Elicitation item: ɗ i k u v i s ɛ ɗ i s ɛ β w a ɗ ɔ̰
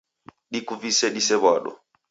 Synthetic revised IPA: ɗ i k u v i s ɛ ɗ i s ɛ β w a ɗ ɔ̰